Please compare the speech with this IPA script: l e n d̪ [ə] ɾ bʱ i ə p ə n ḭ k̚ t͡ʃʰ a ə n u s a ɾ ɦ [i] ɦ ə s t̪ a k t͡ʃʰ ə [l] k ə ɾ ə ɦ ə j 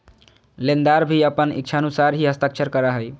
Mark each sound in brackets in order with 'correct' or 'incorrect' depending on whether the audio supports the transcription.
incorrect: a, correct, incorrect: ɾ

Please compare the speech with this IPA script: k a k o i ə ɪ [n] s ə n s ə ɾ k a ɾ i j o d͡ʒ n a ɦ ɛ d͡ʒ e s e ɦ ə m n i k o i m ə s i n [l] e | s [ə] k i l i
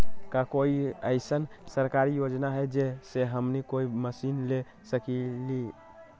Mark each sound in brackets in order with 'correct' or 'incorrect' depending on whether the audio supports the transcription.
incorrect: none, correct, correct

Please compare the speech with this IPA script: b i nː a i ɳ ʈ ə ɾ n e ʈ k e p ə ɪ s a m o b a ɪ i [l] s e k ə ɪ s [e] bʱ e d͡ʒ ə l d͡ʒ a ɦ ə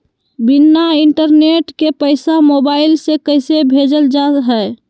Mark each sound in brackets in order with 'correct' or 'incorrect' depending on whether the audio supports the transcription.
correct, correct

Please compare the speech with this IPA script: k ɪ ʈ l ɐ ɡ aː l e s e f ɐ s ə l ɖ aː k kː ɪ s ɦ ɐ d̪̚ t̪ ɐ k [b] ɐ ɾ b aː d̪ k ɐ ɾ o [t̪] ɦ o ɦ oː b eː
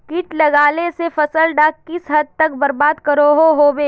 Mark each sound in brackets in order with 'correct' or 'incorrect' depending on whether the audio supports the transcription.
correct, incorrect: none

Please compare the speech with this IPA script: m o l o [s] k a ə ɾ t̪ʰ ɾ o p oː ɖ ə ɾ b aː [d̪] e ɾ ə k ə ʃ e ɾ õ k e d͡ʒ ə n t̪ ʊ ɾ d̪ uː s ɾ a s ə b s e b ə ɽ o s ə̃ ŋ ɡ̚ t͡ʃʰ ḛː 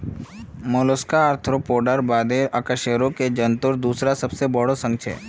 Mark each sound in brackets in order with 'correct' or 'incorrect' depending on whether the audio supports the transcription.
correct, correct

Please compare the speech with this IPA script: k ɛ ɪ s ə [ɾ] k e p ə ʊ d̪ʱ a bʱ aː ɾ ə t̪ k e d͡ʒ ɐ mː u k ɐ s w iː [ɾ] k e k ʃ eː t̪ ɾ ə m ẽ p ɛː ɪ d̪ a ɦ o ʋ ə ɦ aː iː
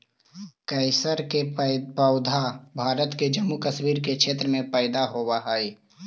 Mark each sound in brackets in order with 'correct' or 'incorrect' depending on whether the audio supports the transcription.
correct, correct

